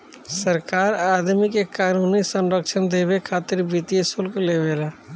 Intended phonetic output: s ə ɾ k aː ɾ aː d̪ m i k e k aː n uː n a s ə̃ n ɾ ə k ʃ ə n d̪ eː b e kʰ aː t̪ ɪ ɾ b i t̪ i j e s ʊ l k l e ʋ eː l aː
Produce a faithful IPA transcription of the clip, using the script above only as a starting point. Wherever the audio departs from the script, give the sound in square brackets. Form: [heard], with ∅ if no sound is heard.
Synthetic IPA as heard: s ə ɾ k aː ɾ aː d̪ m i k e k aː n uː n [i] s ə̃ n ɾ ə k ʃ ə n d̪ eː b e kʰ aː t̪ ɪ ɾ b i t̪ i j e s ʊ l k l e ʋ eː l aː